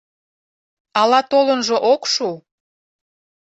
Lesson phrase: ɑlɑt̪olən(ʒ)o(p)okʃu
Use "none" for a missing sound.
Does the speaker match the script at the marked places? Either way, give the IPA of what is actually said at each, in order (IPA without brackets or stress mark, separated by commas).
ʒ, ʔ